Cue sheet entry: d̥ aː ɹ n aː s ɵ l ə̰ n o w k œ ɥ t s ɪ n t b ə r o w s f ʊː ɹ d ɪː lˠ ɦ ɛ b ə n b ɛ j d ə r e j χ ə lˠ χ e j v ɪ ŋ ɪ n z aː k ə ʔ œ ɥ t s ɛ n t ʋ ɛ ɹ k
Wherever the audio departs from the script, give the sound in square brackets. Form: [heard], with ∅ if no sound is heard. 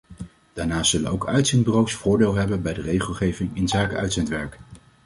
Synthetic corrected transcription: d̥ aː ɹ n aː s ɵ l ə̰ n o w k œ ɥ t s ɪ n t b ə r o w s f ʊː ɹ d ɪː lˠ ɦ ɛ b ə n b ɛ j d ə r e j χ ə lˠ χ e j v ɪ ŋ ɪ n z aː k ə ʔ œ ɥ t s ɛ n t ʋ ɛ ɹ k